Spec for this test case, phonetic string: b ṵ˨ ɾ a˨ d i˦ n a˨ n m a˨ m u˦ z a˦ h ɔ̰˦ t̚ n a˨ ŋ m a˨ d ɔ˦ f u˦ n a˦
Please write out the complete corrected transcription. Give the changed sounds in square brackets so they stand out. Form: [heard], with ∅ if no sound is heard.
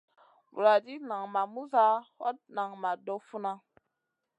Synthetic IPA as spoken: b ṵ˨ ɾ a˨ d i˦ n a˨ [ŋ] m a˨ m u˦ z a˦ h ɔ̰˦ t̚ n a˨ ŋ m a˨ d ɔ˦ f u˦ n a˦